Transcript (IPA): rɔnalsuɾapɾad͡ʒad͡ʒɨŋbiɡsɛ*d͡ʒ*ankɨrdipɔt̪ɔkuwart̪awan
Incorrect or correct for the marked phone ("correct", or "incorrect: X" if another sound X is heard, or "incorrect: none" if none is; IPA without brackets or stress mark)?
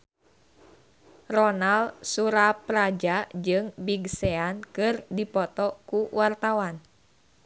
incorrect: none